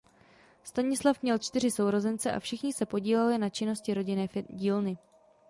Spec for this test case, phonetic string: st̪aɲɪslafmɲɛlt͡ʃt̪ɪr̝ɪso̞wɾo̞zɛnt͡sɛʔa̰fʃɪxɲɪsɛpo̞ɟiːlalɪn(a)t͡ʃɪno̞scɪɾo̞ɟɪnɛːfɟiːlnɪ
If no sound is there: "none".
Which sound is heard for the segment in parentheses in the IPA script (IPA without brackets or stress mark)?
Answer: a